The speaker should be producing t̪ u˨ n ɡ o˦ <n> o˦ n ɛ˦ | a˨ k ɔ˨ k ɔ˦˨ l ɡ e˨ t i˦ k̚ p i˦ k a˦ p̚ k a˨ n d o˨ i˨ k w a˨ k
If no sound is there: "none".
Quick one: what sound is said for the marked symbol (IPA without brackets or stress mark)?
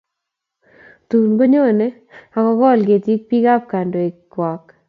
ɲ